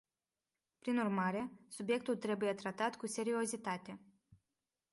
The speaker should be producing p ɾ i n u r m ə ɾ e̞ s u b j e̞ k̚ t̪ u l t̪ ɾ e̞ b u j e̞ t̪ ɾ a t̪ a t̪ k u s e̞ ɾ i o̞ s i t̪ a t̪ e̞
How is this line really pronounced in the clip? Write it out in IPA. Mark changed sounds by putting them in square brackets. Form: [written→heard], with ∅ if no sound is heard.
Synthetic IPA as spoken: p ɾ i n u r m [ə→a] ɾ e̞ s u b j e̞ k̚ t̪ u l t̪ ɾ e̞ b u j e̞ t̪ ɾ a t̪ a t̪ k u s e̞ ɾ i o̞ [s→z] i t̪ a t̪ e̞